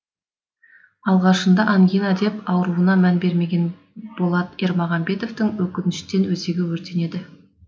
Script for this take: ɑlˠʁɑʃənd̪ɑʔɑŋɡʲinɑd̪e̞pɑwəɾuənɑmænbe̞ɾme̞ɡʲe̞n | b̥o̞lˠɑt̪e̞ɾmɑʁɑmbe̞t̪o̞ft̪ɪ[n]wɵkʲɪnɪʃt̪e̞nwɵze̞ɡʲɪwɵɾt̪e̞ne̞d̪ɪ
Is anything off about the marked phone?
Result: yes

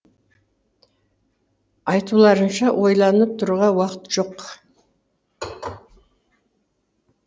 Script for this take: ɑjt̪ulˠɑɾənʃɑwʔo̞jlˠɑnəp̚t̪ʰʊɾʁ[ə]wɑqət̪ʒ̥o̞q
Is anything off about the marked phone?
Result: yes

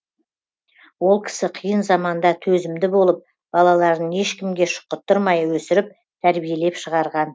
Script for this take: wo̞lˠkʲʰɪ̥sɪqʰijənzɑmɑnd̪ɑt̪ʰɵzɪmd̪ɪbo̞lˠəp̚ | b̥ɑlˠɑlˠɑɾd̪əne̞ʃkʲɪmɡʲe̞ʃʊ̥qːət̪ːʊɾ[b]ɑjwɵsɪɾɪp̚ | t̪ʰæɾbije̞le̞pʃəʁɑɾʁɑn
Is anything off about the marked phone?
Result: yes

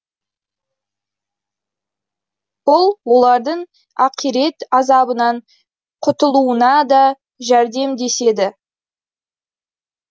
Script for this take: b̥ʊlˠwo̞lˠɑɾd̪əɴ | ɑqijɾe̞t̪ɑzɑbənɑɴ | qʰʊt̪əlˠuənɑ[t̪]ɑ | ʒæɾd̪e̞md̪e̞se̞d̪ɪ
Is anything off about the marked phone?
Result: yes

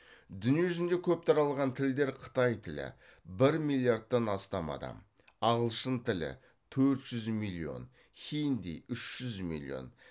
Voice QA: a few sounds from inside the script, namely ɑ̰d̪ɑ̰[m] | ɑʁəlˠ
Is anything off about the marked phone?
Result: no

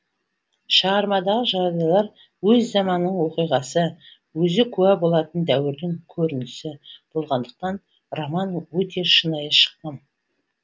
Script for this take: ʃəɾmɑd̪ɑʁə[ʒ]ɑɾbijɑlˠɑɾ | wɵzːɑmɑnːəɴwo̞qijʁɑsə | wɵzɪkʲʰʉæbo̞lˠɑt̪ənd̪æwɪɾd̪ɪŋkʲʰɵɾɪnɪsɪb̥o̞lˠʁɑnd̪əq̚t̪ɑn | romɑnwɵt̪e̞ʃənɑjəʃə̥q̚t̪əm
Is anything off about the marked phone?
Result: no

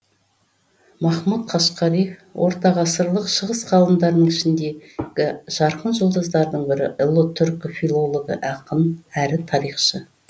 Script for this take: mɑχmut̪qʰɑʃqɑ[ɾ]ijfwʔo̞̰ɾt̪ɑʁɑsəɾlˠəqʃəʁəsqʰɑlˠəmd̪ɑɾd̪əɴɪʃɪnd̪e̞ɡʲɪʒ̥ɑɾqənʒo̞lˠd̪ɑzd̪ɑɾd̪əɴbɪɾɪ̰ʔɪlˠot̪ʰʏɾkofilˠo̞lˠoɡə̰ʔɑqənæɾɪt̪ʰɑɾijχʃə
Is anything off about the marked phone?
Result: no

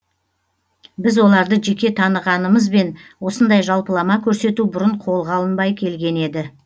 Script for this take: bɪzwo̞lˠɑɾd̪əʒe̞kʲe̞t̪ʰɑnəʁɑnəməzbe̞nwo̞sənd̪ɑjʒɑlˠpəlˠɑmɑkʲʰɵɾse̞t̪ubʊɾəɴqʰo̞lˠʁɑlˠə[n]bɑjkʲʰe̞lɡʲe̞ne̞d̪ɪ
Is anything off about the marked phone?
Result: no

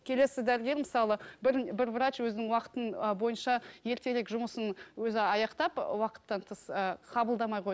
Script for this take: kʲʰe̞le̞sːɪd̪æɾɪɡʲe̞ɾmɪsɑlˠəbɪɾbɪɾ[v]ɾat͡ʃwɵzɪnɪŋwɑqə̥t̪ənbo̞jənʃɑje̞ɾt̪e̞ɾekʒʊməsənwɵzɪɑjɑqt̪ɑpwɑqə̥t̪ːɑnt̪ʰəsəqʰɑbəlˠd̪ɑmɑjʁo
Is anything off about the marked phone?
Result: no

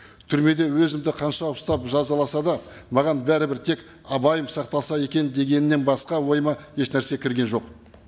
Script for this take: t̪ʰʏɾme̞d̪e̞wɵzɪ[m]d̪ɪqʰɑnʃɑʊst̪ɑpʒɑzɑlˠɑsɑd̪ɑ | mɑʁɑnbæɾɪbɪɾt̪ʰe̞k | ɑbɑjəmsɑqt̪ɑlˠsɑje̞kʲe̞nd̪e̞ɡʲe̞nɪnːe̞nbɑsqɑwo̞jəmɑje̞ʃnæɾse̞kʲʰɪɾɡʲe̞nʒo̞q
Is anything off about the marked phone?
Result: no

